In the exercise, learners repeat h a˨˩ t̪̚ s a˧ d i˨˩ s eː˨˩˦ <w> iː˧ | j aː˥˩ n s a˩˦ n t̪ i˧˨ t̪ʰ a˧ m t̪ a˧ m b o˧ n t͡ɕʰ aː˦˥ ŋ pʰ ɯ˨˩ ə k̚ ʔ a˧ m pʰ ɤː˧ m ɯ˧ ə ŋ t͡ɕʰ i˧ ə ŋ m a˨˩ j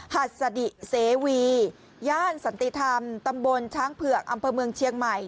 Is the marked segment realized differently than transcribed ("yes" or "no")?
no